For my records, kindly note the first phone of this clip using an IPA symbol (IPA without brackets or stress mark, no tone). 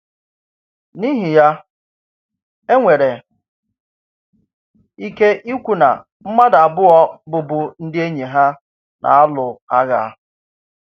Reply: n